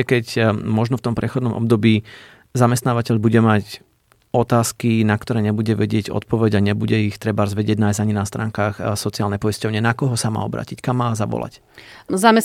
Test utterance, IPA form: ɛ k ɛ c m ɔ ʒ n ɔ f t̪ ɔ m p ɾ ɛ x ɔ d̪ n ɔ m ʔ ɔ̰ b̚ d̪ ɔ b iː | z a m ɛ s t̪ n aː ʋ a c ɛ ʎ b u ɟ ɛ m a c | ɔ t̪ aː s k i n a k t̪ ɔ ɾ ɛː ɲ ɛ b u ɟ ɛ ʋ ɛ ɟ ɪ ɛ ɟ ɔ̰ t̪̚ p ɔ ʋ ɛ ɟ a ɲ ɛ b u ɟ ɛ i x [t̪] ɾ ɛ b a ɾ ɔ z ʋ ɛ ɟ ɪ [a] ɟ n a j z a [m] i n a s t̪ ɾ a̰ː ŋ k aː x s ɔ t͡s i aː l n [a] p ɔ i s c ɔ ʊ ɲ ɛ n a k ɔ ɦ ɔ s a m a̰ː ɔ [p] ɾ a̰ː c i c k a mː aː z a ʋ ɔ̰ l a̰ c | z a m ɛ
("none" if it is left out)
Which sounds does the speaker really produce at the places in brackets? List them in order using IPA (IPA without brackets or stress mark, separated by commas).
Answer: t̪, ɛ, ɲ, ɛ, b